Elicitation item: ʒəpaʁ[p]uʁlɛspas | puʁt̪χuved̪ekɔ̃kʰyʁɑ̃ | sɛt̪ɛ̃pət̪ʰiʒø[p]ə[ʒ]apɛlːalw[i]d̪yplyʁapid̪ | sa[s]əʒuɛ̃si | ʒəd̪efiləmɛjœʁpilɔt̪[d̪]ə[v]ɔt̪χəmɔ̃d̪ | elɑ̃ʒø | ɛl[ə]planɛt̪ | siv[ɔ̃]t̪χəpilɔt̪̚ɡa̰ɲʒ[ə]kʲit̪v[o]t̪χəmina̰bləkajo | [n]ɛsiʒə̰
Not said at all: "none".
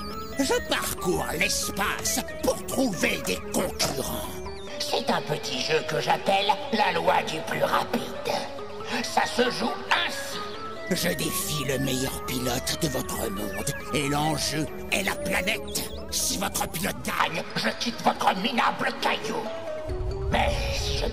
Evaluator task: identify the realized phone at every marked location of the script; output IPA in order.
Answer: k, k, ʒ, a, s, d̪, v, a, ɔ, ə, ɔ, m

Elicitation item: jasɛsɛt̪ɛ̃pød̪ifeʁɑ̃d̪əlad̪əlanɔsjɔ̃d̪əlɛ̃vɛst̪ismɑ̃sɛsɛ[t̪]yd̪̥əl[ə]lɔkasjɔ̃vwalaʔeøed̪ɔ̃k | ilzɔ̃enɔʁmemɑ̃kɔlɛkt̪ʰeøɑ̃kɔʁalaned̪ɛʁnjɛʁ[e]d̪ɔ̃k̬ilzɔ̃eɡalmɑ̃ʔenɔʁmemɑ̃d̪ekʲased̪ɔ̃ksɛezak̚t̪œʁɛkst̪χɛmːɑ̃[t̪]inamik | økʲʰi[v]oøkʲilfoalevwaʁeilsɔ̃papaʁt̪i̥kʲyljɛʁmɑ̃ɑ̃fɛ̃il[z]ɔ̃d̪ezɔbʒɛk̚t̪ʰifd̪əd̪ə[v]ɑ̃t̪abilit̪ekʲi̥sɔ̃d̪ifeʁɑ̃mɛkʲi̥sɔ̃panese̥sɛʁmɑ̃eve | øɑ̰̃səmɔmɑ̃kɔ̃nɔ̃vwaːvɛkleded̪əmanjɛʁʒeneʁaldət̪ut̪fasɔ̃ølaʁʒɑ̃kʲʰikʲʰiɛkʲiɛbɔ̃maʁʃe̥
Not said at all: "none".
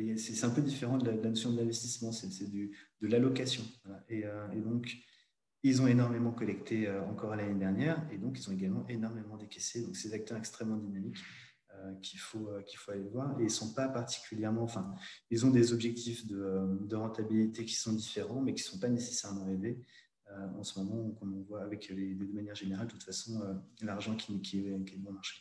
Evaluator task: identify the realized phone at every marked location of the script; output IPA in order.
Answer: d̪, a, e, d̪, f, z, ʁ

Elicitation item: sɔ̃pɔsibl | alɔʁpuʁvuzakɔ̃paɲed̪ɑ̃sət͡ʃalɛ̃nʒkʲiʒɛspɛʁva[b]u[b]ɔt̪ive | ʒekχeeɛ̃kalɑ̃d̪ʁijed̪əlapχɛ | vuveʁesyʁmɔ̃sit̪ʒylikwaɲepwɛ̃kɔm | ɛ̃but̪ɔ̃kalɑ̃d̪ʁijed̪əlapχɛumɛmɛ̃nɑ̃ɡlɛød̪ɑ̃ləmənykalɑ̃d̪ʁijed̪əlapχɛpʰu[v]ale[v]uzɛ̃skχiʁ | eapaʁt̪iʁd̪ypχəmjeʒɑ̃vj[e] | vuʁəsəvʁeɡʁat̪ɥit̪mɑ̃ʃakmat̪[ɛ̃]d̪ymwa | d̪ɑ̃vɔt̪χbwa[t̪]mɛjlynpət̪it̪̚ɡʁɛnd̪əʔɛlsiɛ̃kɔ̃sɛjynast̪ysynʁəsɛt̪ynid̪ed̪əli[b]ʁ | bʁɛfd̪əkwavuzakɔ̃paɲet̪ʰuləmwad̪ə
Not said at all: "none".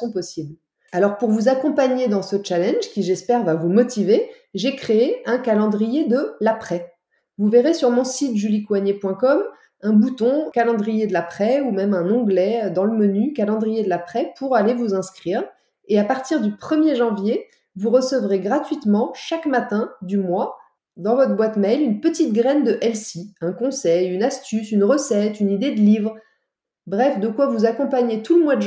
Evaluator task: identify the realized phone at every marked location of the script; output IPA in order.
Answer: v, m, ʁ, v, e, ɛ̃, t̪, v

